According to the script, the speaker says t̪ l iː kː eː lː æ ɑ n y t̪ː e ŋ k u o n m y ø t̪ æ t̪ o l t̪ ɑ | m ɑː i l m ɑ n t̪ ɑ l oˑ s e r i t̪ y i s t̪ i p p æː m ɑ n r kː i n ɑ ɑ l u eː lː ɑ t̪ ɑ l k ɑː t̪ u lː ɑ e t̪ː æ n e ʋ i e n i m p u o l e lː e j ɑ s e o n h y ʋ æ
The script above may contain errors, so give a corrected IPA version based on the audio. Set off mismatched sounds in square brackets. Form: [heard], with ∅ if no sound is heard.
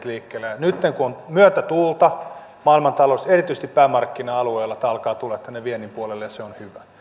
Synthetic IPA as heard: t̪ l iː kː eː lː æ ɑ n y t̪ː e ŋ k u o n m y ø t̪ æ t̪ [u] l t̪ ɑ | m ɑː i l m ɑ n t̪ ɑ l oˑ s e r i t̪ y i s t̪ i p p æː m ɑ [∅] r kː i n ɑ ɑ l u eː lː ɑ t̪ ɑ l k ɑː t̪ u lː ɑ e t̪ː æ n e ʋ i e n i m p u o l e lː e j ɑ s e o n h y ʋ æ

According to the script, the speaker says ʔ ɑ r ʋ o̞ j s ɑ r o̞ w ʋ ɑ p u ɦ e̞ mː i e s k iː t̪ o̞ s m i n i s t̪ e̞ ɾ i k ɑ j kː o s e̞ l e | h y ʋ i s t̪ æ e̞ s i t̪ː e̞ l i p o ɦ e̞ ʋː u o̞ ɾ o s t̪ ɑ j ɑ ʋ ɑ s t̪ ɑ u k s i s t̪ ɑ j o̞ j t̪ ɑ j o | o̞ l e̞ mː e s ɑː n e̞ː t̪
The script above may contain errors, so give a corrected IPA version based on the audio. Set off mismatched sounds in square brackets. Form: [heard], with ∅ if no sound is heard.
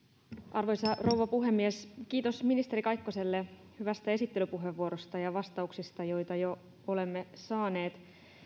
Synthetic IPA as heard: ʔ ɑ r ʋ o̞ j s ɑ r o̞ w ʋ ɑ p u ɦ e̞ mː i e s k iː t̪ o̞ s m i n i s t̪ e̞ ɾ i k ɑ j kː o s e̞ [lː] e | h y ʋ [æ] s t̪ æ e̞ s i t̪ː e̞ l [y] p [u] ɦ e̞ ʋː u o̞ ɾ o s t̪ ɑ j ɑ ʋ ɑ s t̪ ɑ u k s i s t̪ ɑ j o̞ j t̪ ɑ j o | o̞ l e̞ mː e s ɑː n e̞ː t̪

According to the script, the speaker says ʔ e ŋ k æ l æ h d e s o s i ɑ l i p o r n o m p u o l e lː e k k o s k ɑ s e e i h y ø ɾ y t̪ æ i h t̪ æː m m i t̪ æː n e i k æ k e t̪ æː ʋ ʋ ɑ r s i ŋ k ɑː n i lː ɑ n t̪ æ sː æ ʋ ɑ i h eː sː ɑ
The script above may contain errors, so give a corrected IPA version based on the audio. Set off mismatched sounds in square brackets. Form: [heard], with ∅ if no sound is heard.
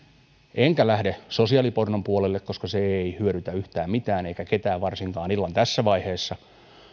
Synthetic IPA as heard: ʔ e ŋ k æ l æ h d e s o s i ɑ l i p o r n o m p u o l e lː e k k o s k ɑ s e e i h y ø ɾ y t̪ æ [y] h t̪ æː m m i t̪ æː n e i k æ k e t̪ æː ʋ ʋ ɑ r s i ŋ k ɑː n i lː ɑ n t̪ æ sː æ ʋ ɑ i h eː sː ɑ

